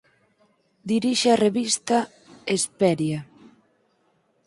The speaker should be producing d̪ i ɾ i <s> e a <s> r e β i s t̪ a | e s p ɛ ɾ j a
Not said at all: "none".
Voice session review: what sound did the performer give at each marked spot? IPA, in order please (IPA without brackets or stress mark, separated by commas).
ʃ, none